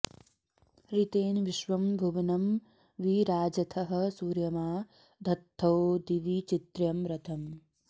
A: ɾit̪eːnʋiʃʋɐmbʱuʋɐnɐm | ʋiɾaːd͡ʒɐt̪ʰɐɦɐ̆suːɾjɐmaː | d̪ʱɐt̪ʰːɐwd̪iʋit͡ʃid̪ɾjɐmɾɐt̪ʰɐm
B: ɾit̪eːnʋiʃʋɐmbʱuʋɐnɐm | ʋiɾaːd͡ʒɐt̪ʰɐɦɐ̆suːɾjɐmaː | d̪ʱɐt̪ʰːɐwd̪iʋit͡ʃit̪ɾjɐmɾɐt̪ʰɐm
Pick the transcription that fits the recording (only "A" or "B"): B